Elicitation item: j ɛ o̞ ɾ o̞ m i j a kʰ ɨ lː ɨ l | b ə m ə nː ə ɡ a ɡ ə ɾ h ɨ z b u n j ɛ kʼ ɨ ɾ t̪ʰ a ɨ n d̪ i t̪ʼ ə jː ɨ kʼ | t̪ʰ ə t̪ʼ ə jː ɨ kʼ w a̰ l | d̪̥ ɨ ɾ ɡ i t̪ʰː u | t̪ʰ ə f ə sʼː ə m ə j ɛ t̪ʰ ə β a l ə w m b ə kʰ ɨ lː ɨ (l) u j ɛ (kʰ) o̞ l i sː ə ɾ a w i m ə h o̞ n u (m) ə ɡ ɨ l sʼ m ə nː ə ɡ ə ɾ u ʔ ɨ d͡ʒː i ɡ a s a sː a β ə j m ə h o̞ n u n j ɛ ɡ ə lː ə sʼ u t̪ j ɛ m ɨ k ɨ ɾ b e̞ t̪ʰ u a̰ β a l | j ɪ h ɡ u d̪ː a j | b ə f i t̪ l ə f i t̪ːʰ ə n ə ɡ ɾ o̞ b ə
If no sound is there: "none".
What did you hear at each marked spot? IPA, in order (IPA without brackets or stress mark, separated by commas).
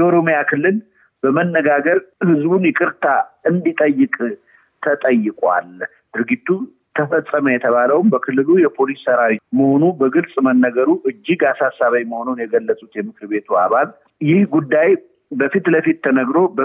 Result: l, pʰ, b